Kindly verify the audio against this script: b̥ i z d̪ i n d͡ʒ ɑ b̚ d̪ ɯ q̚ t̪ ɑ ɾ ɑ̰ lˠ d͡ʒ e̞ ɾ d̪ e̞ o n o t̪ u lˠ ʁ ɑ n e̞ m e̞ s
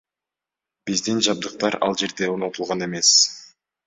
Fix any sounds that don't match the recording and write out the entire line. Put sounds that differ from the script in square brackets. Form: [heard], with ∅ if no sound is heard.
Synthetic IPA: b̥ i z d̪ i n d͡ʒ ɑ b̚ d̪ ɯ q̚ t̪ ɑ ɾ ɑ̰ lˠ d͡ʒ e̞ ɾ d̪ e̞ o n o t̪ u lˠ ʁ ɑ n e̞ m e̞ s